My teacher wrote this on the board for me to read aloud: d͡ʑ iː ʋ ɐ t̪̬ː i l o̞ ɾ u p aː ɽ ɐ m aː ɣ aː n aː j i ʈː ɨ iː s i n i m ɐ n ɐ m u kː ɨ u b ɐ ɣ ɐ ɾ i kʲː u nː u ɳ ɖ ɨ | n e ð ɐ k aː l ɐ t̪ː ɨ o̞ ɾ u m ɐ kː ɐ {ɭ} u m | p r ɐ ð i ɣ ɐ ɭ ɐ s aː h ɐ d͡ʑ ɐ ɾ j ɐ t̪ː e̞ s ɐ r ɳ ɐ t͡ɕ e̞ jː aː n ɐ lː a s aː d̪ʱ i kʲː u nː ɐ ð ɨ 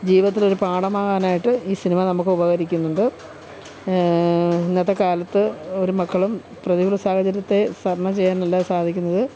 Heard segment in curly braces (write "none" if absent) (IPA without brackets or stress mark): ɭ